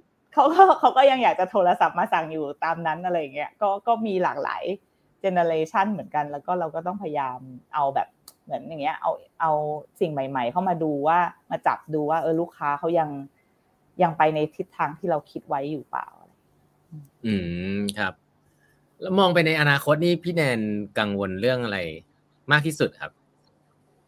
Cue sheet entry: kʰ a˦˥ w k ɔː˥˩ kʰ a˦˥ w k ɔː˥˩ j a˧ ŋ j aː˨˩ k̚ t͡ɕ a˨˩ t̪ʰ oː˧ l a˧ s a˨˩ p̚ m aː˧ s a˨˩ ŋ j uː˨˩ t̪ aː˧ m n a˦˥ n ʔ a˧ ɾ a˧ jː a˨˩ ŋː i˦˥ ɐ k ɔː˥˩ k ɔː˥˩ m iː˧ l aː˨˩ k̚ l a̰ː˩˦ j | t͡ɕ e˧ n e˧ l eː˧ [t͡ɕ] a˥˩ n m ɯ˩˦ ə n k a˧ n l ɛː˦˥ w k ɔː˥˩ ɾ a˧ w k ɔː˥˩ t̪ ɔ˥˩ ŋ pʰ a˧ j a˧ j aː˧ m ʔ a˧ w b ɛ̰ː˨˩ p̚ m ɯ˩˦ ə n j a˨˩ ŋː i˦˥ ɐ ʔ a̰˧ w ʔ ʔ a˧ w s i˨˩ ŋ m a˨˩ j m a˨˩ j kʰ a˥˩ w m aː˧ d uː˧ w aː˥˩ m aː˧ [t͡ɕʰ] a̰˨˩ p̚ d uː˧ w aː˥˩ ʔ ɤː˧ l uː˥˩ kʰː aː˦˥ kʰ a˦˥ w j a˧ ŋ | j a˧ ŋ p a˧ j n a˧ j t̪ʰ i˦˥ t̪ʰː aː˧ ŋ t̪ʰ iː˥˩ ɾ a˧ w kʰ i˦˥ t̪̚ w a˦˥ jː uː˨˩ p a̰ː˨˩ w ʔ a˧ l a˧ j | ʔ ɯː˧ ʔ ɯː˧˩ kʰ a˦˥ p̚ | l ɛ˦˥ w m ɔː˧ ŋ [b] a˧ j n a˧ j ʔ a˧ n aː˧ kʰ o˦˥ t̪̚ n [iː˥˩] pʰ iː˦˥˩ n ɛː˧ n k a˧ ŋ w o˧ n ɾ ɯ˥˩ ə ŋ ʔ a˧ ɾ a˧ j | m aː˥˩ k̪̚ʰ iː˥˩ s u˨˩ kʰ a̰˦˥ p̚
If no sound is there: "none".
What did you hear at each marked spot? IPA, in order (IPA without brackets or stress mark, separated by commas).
t͡ɕʰ, t͡ɕ, p, iː˥˩